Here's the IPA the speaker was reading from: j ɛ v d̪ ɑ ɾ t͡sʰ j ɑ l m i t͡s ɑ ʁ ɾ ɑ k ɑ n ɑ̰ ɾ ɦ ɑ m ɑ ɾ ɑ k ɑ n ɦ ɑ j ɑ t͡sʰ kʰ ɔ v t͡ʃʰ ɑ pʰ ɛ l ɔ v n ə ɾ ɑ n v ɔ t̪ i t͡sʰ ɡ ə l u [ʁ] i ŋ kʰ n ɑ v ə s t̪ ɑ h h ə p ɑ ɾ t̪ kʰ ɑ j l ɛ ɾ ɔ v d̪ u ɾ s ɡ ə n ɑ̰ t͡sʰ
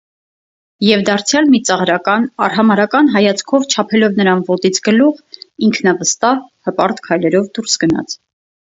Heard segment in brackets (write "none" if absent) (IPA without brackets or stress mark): ʁ